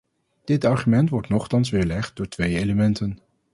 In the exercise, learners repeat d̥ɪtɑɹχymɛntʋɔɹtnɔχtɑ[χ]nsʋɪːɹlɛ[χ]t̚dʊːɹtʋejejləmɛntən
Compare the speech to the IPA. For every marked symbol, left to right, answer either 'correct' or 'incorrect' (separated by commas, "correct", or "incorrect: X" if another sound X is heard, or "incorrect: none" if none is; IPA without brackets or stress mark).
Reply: incorrect: none, correct